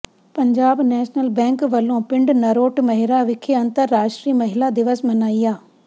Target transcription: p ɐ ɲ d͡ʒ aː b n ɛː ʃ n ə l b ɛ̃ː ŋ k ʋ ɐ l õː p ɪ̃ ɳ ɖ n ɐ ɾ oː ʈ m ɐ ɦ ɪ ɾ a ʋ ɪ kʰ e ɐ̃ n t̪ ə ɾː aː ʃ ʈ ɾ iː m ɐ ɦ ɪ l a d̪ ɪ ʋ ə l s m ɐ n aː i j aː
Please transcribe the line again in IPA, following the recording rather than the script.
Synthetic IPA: p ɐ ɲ d͡ʒ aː b n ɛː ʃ n ə l b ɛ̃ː ŋ k ʋ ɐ l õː p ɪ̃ ɳ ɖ n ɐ ɾ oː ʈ m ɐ ɦ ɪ ɾ a ʋ ɪ kʰ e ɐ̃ n t̪ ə ɾː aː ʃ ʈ ɾ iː m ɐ ɦ ɪ l a d̪ ɪ ʋ ə s m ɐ n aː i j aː

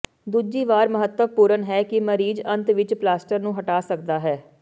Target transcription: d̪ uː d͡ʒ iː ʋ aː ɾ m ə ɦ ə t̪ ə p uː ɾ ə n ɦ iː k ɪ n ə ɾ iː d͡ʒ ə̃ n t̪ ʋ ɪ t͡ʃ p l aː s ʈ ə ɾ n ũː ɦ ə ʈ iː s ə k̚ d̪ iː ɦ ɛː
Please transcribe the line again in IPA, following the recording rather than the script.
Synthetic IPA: d̪ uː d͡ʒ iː ʋ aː ɾ m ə ɦ ə t̪ ə p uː ɾ ə n ɦ ɛː k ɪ m ə ɾ iː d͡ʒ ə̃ n t̪ ʋ ɪ t͡ʃ p l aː s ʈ ə ɾ n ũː ɦ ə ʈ aː s ə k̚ d̪ aː ɦ ɛː

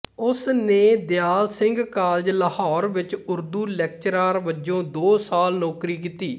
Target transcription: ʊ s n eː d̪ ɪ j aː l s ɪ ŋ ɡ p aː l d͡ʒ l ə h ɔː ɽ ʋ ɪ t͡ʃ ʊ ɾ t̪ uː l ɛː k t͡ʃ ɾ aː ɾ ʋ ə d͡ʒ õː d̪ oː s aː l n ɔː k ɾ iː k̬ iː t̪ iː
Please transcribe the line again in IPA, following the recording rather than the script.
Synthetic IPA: ʊ s n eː d̪ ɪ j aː l s ɪ ŋ ɡ k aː l d͡ʒ l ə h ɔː ɾ ʋ ɪ t͡ʃ ʊ ɾ d̪ uː l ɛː k t͡ʃ ɾ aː ɾ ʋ ə d͡ʒ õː d̪ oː s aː l n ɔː k ɾ iː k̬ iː t̪ iː

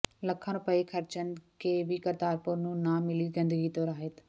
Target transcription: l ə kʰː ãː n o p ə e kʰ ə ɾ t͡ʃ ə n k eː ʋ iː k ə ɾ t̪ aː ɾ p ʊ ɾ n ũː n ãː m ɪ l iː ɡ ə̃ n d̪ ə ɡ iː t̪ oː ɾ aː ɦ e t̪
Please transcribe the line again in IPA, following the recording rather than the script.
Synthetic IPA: l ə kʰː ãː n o p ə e kʰ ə ɾ t͡ʃ ə n k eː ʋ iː k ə ɾ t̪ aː ɾ p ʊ ɾ n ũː n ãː m ɪ l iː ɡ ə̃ n d̪ ə ɡ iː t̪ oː ɾ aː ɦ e t̪

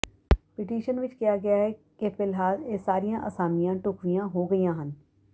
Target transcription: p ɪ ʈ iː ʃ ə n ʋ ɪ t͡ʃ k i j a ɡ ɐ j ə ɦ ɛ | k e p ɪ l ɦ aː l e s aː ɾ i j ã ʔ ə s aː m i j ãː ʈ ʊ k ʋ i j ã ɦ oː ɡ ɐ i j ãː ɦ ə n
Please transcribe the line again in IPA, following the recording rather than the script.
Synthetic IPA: p ɪ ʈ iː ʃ ə n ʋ ɪ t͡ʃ k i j a ɡ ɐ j a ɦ ɛ | k e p ɪ l ɦ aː l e s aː ɾ i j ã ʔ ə s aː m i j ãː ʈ ʊ k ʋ i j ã ɦ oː ɡ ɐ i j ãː ɦ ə n

